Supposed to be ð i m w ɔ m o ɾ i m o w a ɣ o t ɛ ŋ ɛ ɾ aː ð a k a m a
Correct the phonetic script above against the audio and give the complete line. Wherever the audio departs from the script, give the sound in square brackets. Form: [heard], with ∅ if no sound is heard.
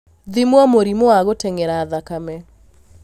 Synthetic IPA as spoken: ð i m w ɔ m o ɾ i m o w a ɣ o t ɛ ŋ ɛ ɾ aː ð a k a m [ɛ]